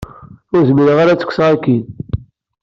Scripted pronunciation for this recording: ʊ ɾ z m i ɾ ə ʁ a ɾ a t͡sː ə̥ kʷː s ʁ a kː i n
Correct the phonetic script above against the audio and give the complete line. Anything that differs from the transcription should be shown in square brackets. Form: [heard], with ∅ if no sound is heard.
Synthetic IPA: ʊ ɾ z m i ɾ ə ʁ a ɾ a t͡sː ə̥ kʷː s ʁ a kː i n